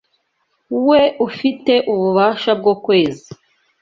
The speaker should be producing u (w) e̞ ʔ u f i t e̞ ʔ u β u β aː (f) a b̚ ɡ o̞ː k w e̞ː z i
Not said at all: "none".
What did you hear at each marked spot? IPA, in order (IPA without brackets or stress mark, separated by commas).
w, ʃ